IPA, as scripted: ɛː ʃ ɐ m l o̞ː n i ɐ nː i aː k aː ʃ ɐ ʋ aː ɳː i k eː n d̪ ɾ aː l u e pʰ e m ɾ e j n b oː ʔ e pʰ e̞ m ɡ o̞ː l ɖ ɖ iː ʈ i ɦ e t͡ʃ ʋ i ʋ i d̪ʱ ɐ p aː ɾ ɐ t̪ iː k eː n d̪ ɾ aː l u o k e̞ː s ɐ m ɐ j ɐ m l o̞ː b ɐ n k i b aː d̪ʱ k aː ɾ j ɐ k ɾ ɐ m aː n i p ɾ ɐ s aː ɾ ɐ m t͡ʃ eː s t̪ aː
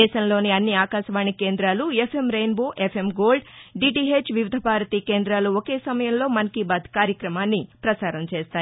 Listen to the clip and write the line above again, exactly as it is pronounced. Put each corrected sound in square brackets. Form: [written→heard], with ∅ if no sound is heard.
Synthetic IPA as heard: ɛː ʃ ɐ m l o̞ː n i ɐ nː i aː k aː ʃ ɐ ʋ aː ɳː i k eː n d̪ ɾ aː l u e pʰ e m ɾ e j n b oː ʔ e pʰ e̞ m ɡ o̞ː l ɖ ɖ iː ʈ i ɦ e t͡ʃ ʋ i ʋ i d̪ʱ ɐ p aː ɾ ɐ t̪ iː k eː n d̪ ɾ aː l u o k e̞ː s ɐ m ɐ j ɐ m l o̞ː [b→m] ɐ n k i b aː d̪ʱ k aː ɾ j ɐ k ɾ ɐ m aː [n→nː] i p ɾ ɐ s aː ɾ ɐ m t͡ʃ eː s t̪ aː

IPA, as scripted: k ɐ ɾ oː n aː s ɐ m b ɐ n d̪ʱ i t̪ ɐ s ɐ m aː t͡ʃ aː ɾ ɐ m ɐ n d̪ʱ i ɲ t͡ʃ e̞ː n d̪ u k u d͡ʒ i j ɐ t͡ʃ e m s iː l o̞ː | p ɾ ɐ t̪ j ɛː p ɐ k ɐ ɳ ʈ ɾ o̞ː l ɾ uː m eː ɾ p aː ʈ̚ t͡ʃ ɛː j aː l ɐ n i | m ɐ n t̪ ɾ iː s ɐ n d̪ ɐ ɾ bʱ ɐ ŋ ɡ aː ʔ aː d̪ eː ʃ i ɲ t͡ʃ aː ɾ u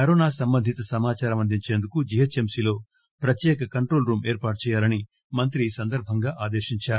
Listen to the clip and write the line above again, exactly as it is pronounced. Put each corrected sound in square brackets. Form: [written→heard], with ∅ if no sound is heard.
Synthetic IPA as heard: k ɐ ɾ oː n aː s ɐ m b ɐ n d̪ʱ i t̪ ɐ s ɐ m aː t͡ʃ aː ɾ ɐ m ɐ n d̪ʱ i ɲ t͡ʃ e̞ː n d̪ u k u d͡ʒ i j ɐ t͡ʃ e m s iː l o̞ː | p ɾ ɐ t̪ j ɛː [p→k] ɐ k ɐ ɳ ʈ ɾ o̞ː l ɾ uː m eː ɾ p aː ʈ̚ t͡ʃ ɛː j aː l ɐ n i | m ɐ n t̪ ɾ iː s ɐ n d̪ ɐ ɾ bʱ ɐ ŋ ɡ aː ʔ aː d̪ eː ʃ i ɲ t͡ʃ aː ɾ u

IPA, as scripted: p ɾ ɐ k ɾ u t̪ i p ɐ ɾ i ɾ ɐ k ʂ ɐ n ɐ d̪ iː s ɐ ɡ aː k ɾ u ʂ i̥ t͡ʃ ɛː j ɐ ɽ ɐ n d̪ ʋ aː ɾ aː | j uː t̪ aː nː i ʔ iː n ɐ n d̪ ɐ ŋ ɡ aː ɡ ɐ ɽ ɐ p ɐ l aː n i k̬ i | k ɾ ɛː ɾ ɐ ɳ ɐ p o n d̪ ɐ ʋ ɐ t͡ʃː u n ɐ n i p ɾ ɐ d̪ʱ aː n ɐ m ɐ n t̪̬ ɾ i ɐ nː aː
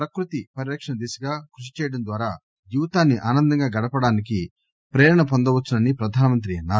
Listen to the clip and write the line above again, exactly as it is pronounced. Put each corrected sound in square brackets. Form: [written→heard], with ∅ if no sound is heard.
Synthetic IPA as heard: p ɾ ɐ k ɾ u t̪ i p ɐ ɾ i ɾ ɐ k ʂ ɐ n ɐ d̪ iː s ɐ ɡ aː k ɾ u ʂ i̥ t͡ʃ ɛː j ɐ ɽ ɐ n d̪ ʋ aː ɾ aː | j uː t̪ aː nː i ʔ [iː→aː] n ɐ n d̪ ɐ ŋ ɡ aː ɡ ɐ ɽ ɐ p ɐ [l→ɽ] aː n i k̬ i | [k→p] ɾ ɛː ɾ ɐ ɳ ɐ p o n d̪ ɐ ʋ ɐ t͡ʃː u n ɐ n i p ɾ ɐ d̪ʱ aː n ɐ m ɐ n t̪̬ ɾ i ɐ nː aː

